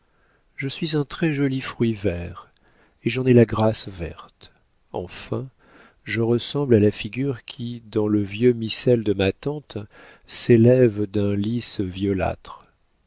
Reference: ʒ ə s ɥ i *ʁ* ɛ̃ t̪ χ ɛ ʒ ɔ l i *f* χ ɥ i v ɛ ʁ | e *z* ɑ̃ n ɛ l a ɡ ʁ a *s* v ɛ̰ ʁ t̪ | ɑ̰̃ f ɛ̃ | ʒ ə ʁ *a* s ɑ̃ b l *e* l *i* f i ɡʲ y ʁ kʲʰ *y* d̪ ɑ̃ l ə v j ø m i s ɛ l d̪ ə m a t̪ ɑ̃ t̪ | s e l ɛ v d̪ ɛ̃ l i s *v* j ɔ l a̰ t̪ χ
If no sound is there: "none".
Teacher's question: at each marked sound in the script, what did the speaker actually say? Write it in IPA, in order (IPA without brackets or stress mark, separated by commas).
z, f, ʒ, s, ə, a, a, i, v